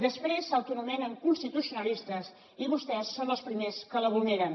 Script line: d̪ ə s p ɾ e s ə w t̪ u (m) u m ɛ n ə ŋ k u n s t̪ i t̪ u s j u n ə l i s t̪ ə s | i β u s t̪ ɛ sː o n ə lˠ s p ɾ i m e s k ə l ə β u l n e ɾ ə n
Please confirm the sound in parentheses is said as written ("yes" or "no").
no